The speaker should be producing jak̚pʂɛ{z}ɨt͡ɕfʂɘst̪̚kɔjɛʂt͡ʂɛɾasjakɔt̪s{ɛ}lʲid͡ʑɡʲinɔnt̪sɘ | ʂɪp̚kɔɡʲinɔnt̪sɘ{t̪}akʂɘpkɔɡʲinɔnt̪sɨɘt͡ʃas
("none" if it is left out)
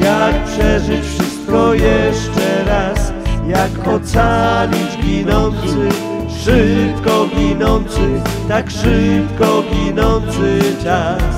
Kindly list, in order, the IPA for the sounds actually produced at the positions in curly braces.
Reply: ʐ, a, t̪

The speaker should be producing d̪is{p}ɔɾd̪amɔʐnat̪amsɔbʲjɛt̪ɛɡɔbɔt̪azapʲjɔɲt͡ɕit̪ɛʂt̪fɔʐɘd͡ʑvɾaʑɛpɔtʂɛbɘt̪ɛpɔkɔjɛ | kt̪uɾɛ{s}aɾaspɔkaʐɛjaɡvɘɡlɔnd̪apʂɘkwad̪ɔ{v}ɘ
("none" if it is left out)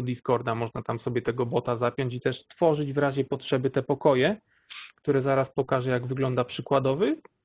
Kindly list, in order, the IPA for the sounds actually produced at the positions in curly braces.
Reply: k, z, v

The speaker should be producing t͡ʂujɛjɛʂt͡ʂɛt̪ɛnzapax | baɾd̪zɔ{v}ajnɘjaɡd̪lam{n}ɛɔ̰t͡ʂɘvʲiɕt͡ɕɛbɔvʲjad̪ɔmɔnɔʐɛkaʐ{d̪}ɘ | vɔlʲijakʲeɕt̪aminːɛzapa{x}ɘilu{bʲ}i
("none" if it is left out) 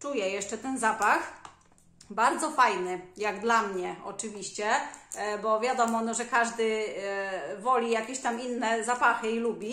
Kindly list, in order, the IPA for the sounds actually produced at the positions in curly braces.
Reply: f, ɲ, d̪, x, bʲ

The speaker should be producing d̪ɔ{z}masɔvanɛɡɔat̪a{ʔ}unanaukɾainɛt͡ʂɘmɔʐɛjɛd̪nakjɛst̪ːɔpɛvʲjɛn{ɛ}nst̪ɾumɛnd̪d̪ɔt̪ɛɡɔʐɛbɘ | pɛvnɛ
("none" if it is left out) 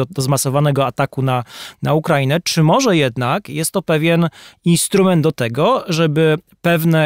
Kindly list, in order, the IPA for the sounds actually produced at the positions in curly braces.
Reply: z, k, i

